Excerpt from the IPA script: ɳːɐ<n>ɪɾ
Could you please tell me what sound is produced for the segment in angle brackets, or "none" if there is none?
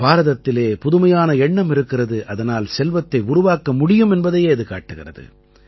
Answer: m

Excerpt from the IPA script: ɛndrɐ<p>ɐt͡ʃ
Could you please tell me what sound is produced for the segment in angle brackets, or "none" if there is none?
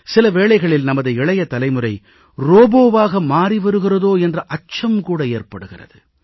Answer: ʔ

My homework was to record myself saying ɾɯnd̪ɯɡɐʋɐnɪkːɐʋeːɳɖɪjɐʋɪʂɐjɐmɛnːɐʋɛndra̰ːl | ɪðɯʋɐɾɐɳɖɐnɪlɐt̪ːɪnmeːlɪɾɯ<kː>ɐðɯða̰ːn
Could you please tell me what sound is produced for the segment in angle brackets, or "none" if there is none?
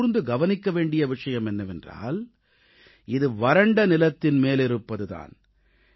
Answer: pː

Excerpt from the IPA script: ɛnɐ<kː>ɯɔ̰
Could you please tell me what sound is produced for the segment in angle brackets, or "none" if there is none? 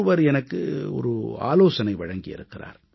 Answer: kː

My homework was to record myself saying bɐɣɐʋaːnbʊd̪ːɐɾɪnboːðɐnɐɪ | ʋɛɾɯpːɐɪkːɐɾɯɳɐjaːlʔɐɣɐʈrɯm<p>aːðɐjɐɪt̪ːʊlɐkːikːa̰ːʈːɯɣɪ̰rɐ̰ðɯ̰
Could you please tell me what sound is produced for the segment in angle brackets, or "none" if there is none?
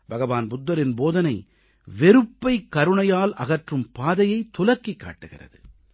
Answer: p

